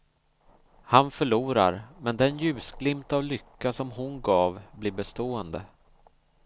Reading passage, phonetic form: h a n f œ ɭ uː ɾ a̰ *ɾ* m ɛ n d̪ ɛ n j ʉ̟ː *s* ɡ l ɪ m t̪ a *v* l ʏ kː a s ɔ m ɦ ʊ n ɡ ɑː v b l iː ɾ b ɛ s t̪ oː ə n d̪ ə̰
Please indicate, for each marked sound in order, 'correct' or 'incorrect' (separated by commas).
correct, correct, correct